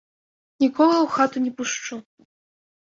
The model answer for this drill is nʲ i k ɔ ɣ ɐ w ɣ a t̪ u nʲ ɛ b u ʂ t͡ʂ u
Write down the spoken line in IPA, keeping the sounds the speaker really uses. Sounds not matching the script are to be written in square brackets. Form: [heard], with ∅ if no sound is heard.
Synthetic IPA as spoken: nʲ i k ɔ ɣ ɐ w [x] a t̪ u nʲ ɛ [p] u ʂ t͡ʂ u